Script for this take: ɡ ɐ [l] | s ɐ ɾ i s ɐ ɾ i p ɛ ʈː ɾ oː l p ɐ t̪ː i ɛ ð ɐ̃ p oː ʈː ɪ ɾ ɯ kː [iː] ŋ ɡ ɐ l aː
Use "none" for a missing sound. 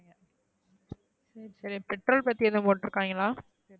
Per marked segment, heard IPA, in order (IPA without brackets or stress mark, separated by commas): none, aː